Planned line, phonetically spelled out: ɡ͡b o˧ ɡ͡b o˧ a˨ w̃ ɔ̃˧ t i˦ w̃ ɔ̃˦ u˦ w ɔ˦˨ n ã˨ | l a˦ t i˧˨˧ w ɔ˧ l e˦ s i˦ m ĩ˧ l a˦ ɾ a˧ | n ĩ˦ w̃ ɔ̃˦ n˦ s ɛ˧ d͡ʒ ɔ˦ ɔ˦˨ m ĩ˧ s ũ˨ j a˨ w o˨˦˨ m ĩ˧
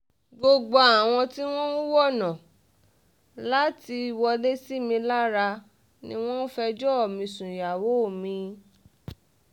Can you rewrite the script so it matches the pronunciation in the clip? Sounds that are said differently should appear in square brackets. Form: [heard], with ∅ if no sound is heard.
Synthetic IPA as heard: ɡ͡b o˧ ɡ͡b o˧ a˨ w̃ ɔ̃˧ t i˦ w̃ ɔ̃˦ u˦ w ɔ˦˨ n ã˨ | l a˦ t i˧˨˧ w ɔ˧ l e˦ s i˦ m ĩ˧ l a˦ ɾ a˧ | n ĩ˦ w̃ ɔ̃˦ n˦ [f] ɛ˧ d͡ʒ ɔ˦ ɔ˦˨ m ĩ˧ s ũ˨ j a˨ w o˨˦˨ m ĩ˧